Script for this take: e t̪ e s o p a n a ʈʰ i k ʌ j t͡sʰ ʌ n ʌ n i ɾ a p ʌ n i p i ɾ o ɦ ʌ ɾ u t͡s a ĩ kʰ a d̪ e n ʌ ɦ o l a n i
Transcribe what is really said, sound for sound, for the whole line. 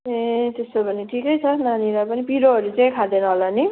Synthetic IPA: e t̪ e s o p ʌ n i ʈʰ i k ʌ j t͡sʰ ʌ n a n i ɾ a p ʌ n i p i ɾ o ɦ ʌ ɾ u t͡s a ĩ kʰ a d̪ e n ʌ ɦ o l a n i